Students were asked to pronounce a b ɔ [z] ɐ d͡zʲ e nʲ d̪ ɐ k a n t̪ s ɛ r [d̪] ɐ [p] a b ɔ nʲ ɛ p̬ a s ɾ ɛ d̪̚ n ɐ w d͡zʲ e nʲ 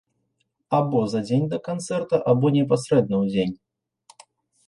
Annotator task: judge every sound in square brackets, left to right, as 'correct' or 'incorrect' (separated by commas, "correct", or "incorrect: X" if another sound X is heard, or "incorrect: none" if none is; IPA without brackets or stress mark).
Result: correct, incorrect: t̪, incorrect: ʔ